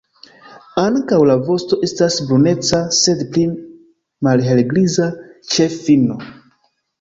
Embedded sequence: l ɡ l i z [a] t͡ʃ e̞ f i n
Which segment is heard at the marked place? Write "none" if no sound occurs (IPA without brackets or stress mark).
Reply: a